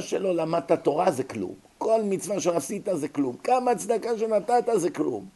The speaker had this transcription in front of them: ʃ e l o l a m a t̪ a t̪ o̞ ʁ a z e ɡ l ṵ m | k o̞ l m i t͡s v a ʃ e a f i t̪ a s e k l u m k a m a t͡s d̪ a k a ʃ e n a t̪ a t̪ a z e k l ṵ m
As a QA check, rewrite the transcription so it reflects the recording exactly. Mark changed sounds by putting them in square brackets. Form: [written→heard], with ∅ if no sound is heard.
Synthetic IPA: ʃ e l o l a m a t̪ a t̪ o̞ ʁ a z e [ɡ→k] l ṵ m | k o̞ l m i t͡s v a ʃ e a [f→s] i t̪ a [s→z] e k l u m k a m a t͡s d̪ a k a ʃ e n a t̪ a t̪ a z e k l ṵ m